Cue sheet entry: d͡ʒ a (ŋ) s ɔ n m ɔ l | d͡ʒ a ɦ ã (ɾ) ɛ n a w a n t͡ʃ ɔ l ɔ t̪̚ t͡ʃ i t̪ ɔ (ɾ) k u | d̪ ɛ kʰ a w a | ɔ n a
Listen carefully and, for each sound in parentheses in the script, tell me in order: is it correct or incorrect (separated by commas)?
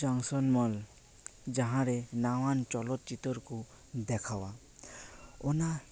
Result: correct, correct, correct